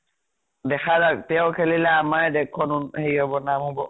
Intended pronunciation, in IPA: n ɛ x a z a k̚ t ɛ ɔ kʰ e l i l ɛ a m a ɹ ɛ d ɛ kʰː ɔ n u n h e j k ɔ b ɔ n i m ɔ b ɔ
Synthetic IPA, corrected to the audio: d ɛ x a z a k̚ t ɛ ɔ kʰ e l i l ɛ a m a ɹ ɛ d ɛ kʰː ɔ n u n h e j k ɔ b ɔ n a m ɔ b ɔ